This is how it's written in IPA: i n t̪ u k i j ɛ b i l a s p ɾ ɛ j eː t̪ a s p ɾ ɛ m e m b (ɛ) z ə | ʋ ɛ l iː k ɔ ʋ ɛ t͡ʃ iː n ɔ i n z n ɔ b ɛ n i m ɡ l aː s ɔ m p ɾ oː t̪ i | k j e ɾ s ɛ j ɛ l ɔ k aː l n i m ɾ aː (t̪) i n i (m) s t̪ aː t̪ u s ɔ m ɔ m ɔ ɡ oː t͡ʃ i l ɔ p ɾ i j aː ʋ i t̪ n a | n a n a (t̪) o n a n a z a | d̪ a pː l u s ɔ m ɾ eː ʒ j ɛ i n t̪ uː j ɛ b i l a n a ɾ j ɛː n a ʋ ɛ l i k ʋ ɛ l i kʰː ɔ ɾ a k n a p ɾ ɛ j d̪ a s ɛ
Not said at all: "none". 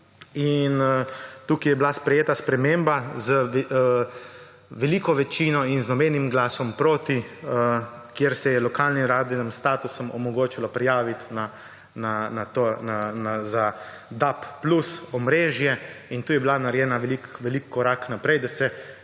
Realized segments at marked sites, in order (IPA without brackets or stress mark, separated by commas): a, d̪, m, t̪